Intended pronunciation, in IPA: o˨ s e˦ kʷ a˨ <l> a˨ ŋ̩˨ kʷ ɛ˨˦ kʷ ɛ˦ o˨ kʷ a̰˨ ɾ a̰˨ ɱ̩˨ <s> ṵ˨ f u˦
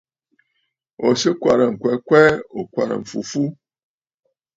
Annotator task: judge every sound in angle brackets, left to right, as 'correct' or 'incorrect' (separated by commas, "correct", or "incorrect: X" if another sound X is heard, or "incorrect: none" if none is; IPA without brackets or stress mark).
incorrect: ɾ, incorrect: f